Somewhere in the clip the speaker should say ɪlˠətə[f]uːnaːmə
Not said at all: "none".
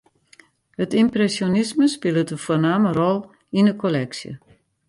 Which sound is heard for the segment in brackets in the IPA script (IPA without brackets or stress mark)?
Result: f